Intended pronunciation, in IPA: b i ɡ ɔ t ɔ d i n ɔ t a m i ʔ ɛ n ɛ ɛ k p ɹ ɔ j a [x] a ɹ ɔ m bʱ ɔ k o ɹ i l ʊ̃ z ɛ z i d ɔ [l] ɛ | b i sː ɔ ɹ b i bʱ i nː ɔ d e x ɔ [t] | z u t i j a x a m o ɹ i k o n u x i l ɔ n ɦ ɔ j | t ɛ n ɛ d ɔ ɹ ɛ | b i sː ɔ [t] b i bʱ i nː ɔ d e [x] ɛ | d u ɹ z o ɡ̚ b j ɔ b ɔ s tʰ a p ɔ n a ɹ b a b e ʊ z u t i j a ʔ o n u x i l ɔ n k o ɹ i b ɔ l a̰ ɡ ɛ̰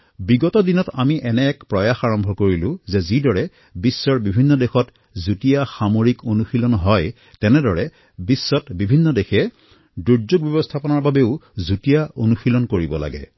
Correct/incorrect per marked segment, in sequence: correct, incorrect, correct, correct, correct

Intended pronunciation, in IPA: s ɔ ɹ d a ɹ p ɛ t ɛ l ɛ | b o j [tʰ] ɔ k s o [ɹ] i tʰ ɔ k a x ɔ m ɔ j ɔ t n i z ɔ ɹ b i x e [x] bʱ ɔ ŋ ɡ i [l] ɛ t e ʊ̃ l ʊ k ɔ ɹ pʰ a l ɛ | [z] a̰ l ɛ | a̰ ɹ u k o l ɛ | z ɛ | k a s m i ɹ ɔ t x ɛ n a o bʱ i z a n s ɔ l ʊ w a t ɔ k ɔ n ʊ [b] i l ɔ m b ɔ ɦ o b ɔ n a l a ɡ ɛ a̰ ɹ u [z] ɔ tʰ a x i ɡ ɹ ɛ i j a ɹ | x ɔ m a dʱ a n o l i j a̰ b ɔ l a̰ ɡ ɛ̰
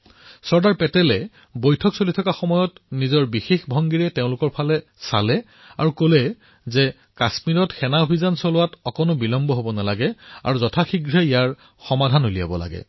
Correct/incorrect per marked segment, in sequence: correct, incorrect, correct, incorrect, incorrect, correct, correct

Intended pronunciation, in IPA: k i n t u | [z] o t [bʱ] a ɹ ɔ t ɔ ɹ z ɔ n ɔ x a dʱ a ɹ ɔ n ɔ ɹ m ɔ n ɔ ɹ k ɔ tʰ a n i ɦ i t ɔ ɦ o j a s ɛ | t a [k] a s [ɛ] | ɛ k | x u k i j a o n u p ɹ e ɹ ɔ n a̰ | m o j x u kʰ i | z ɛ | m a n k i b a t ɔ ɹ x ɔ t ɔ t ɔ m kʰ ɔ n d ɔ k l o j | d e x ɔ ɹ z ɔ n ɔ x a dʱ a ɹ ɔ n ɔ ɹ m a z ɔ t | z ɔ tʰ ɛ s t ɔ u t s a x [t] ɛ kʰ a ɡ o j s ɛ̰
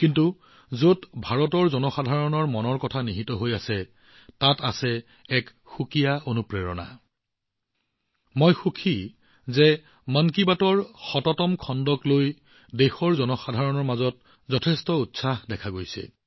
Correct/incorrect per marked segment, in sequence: correct, correct, incorrect, correct, incorrect

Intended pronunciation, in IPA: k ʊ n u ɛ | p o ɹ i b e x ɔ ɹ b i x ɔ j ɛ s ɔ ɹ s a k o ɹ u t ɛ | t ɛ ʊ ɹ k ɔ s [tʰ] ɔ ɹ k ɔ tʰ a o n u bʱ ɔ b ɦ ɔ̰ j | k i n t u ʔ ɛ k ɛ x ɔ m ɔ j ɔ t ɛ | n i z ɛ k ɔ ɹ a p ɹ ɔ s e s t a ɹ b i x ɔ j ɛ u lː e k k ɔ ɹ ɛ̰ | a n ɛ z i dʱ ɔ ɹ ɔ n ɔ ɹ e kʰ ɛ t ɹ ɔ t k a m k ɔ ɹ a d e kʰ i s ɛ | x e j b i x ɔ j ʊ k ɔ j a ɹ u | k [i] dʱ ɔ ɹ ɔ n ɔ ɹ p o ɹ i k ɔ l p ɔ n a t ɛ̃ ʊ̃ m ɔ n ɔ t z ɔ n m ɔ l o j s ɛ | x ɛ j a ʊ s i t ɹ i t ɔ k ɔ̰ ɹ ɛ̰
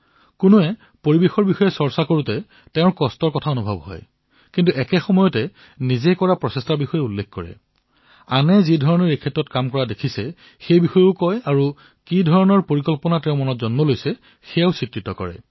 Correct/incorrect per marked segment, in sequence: incorrect, correct

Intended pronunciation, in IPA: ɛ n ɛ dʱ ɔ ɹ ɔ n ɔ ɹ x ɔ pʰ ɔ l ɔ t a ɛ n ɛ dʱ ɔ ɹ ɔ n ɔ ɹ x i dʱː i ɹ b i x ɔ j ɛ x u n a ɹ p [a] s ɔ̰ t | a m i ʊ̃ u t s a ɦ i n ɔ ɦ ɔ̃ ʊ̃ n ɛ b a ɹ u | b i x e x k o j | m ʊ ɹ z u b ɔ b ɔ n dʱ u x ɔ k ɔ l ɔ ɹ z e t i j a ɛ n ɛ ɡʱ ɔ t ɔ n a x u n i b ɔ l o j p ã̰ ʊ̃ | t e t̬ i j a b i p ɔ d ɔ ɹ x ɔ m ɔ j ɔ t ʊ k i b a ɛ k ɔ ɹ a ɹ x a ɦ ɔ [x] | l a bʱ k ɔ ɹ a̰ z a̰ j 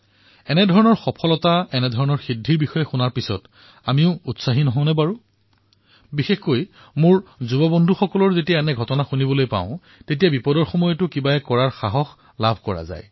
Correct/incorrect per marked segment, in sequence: incorrect, correct

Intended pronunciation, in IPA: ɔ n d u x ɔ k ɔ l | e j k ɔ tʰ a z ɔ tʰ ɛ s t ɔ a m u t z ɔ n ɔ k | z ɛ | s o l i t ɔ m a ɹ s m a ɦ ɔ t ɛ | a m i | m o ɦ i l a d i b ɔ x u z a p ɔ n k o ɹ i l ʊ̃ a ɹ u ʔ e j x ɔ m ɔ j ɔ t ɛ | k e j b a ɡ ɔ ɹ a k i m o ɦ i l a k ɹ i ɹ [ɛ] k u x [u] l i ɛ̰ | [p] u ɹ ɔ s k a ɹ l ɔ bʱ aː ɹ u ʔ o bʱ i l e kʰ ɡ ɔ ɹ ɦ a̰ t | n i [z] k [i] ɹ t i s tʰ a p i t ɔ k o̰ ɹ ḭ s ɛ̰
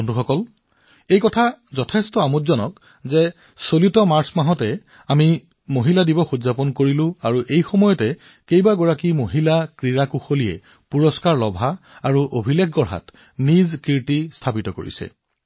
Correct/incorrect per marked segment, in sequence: incorrect, incorrect, correct, correct, correct

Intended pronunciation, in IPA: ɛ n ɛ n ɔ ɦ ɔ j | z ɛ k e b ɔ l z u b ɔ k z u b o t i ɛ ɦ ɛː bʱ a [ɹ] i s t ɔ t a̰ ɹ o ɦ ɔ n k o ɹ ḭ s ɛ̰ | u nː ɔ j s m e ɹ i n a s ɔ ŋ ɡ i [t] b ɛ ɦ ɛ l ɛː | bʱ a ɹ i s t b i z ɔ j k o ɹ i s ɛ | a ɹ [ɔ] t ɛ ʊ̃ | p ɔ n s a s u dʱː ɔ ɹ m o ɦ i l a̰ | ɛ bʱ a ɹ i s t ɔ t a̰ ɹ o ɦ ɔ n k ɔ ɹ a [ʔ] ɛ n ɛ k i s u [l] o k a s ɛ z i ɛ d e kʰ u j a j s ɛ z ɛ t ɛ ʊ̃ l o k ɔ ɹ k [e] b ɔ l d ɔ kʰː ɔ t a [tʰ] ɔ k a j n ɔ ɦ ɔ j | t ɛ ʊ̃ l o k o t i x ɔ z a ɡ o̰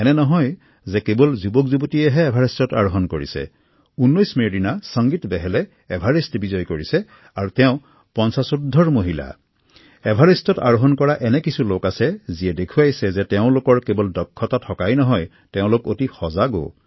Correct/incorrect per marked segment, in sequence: correct, correct, incorrect, correct, correct, correct, correct

